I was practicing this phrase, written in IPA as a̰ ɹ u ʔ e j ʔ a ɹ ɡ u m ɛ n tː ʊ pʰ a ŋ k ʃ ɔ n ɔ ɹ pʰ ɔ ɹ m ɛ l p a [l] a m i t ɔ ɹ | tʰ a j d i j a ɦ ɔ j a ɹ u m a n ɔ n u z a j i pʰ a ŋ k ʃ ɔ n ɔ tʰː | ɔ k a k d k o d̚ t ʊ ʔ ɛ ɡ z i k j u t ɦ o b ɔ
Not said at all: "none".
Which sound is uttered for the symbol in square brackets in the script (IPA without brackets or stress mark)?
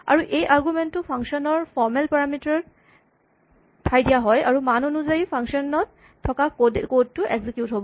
ɹ